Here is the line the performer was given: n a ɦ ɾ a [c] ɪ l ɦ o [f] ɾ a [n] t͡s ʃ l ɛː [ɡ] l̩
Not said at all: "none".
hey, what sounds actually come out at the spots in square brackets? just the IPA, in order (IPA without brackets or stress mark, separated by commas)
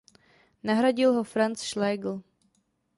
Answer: ɟ, f, n, ɡ